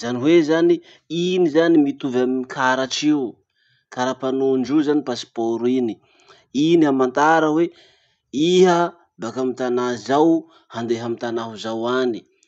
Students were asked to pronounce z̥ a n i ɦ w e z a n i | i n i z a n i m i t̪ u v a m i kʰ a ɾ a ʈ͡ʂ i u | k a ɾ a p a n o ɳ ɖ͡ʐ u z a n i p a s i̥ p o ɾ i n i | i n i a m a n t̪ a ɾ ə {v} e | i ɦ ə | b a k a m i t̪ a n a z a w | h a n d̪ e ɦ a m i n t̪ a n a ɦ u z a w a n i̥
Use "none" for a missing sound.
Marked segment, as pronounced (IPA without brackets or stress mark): w